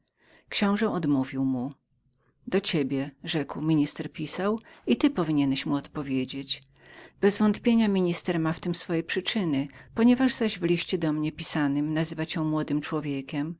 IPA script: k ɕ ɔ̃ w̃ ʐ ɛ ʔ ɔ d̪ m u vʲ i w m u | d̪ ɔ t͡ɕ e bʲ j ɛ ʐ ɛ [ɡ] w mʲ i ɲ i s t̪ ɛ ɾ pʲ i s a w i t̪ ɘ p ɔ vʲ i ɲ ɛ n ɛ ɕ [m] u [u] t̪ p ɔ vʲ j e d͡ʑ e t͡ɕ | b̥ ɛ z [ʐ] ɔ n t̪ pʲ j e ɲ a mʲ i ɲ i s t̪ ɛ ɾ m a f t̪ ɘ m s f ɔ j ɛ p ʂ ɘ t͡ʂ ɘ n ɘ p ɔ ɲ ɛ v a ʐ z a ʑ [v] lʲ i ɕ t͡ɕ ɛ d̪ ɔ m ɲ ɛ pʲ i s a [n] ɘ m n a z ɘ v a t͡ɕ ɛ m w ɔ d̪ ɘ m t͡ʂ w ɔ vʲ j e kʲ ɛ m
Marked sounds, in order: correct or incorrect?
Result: incorrect, correct, incorrect, incorrect, correct, correct

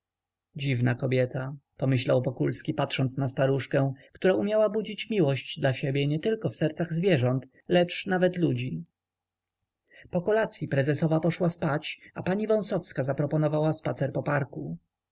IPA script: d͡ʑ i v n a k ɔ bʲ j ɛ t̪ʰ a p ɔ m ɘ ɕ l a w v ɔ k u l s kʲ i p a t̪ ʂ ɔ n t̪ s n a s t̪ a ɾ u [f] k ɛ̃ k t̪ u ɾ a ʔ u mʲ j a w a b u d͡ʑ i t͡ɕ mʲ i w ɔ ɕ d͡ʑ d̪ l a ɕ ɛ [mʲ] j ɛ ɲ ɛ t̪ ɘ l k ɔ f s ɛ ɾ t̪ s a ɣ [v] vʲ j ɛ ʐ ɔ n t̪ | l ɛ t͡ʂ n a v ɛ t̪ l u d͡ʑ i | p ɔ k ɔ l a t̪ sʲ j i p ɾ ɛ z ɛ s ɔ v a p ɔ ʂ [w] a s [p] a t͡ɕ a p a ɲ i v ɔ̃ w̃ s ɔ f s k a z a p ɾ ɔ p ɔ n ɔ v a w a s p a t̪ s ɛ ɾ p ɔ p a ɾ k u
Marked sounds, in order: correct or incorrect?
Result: incorrect, incorrect, incorrect, correct, correct

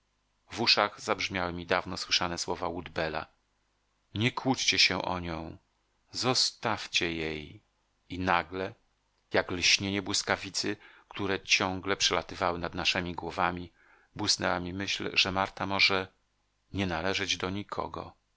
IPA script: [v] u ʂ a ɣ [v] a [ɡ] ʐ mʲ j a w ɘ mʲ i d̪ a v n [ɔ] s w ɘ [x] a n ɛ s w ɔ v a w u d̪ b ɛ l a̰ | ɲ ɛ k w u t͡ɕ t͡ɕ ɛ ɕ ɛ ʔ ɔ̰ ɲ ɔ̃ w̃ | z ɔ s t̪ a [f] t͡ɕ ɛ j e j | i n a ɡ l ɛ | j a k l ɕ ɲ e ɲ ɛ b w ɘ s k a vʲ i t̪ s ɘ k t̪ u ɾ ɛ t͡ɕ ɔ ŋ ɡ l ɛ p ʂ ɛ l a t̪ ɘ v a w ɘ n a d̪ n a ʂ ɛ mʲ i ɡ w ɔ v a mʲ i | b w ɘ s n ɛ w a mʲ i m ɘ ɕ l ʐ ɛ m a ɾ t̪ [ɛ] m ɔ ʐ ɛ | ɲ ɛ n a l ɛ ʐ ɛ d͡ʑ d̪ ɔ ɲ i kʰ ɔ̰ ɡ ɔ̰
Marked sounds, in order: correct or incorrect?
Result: correct, incorrect, incorrect, correct, incorrect, correct, incorrect

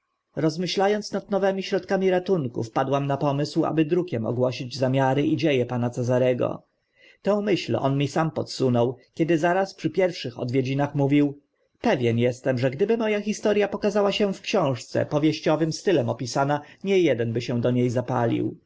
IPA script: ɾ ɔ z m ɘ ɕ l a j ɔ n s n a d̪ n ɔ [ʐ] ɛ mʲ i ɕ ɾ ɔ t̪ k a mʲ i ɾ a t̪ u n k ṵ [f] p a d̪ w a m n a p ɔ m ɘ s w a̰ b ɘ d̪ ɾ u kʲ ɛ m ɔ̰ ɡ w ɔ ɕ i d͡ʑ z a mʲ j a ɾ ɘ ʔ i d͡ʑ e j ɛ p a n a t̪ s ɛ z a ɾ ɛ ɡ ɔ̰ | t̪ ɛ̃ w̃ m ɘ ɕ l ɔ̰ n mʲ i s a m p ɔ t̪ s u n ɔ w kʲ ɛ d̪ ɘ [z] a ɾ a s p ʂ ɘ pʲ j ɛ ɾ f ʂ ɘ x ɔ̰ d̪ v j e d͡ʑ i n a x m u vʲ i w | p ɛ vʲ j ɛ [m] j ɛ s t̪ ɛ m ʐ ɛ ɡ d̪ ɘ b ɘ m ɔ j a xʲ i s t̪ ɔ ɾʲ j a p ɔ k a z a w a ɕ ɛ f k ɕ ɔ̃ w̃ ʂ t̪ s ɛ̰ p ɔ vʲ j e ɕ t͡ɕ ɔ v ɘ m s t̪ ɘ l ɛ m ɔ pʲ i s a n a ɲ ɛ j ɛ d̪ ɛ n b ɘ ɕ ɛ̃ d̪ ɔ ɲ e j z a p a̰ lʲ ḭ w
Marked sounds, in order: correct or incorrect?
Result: incorrect, correct, correct, incorrect

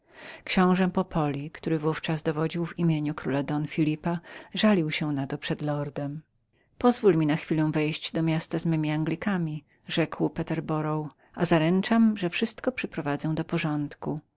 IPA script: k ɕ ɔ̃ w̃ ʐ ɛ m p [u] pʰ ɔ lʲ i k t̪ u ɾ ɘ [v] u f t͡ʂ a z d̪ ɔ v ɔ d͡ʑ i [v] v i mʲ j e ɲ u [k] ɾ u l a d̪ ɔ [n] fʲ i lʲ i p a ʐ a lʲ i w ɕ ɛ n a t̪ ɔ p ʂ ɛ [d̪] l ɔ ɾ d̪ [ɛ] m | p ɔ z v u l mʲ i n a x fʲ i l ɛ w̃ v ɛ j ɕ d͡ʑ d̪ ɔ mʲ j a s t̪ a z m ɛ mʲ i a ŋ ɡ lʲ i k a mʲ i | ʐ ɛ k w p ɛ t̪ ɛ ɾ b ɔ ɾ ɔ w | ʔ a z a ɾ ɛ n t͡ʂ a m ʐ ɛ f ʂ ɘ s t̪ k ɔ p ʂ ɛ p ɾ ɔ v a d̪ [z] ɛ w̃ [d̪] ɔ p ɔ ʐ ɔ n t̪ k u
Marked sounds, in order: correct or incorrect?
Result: incorrect, correct, incorrect, correct, correct, correct, correct, correct, correct

